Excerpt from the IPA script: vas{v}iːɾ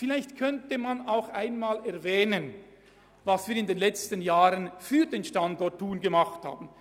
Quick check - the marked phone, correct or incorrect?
correct